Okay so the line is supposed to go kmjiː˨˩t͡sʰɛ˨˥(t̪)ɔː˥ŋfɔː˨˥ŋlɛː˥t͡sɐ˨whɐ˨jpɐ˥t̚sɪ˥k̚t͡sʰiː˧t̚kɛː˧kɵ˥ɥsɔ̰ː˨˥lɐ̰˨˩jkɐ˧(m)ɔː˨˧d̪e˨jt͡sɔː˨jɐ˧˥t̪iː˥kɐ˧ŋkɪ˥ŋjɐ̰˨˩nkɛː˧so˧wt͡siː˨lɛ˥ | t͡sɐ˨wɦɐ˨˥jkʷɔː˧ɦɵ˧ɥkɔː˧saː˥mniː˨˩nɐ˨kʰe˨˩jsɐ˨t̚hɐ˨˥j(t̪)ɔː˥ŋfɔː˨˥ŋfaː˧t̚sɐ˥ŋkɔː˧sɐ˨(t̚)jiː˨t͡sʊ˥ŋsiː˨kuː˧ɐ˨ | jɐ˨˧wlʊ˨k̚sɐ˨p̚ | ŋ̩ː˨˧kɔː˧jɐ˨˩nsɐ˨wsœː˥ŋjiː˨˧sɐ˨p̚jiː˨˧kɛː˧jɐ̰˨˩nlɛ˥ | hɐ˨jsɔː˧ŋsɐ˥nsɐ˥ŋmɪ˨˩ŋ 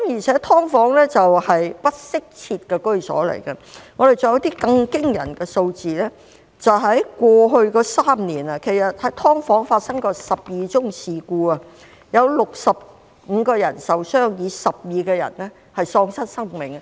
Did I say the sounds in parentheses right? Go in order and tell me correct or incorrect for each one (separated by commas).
incorrect, incorrect, incorrect, incorrect